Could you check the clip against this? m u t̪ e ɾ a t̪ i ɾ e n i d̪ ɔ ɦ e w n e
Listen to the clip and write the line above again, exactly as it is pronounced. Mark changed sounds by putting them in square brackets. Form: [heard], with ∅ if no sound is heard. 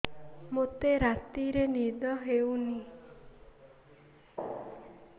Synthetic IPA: m [o] t̪ e ɾ a t̪ i ɾ e n i d̪ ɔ ɦ e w n [i]